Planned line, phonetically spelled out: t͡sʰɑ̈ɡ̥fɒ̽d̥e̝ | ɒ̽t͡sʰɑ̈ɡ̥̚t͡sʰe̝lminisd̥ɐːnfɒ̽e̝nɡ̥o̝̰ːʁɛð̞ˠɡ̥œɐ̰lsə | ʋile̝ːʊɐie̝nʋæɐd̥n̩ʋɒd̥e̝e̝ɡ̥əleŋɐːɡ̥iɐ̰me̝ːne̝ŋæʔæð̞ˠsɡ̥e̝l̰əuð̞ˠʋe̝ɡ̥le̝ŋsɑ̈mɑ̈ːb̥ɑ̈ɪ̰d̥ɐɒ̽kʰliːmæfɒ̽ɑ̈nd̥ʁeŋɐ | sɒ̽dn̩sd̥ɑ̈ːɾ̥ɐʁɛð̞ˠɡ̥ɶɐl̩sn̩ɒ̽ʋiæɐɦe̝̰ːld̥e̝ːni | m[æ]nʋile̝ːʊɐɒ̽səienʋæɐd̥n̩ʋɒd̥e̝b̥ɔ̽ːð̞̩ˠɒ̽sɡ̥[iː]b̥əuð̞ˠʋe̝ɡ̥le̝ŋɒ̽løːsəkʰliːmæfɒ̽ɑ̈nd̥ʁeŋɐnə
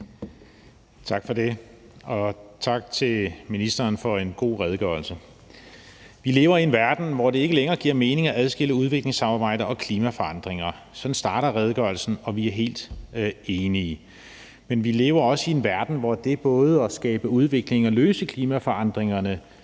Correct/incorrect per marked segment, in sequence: incorrect: e, incorrect: ɛː

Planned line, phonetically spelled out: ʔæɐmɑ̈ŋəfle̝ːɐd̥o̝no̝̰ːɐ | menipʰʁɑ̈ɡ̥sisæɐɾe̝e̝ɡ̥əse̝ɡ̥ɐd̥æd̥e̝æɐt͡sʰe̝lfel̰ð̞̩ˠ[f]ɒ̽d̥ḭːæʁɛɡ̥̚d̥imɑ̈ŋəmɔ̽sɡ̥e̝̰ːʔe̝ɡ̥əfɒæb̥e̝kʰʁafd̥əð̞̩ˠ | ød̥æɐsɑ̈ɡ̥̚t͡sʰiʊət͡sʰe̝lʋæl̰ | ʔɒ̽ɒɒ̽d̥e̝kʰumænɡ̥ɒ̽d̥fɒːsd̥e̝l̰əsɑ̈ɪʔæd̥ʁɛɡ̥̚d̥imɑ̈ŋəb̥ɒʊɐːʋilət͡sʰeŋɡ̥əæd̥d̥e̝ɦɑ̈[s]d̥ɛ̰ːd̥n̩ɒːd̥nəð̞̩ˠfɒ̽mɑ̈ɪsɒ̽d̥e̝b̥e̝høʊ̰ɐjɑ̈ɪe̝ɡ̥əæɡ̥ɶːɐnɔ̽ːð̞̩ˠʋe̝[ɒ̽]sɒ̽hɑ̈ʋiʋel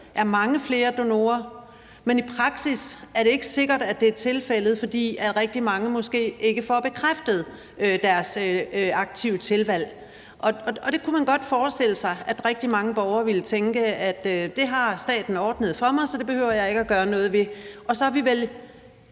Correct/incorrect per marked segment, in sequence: correct, correct, correct

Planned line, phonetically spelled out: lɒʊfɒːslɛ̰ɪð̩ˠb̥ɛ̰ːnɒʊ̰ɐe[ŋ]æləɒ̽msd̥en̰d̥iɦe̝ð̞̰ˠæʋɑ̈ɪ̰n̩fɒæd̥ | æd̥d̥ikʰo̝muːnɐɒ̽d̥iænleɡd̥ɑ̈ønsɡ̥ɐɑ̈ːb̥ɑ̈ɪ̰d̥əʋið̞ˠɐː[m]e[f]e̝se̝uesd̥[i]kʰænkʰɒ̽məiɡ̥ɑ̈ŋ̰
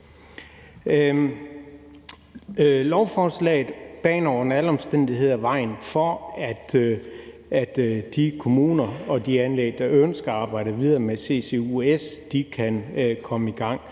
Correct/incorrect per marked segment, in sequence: incorrect: n, correct, incorrect: s, correct

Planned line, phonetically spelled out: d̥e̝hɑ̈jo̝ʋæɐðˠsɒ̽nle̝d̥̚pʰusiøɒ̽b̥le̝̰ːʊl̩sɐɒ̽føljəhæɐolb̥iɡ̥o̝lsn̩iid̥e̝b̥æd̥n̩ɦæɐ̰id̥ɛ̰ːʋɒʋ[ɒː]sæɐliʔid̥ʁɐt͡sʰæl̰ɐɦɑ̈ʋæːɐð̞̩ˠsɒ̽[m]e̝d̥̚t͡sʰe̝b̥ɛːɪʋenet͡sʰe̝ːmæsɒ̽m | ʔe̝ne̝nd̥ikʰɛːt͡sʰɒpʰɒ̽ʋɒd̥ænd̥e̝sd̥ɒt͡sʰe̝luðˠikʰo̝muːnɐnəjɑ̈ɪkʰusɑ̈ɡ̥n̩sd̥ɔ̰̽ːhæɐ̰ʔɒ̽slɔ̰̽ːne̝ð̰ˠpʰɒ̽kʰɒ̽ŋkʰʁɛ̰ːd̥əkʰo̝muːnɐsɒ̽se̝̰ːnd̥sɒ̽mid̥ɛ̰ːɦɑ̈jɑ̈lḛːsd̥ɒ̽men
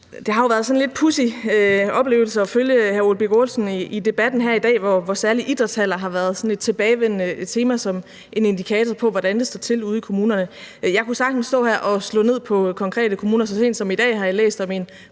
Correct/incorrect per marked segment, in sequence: incorrect: ɒ, incorrect: n

